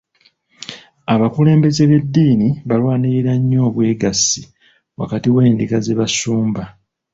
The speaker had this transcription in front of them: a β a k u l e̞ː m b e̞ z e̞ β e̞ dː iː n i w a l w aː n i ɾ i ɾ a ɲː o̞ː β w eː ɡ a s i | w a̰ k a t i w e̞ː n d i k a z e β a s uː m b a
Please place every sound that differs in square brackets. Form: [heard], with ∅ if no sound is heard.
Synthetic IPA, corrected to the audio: a β a k u l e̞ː m b e̞ z e̞ β e̞ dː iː n i [β] a l w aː n i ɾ i ɾ a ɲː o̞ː β w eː ɡ a s i | w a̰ k a t i w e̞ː n d i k a z e β a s uː m b a